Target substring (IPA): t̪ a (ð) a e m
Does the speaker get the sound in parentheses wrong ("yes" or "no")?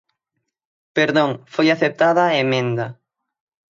no